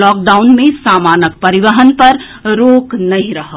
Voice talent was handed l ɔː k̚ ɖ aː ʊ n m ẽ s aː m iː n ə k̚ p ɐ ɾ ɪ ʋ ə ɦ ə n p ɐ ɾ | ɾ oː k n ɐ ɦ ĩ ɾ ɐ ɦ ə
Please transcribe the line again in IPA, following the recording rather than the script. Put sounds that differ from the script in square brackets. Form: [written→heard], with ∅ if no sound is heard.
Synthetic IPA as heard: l ɔː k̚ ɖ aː ʊ n m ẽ s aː m [iː→aː] n ə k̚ p ɐ ɾ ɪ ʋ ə ɦ ə n p ɐ ɾ | ɾ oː k n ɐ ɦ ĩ ɾ ɐ ɦ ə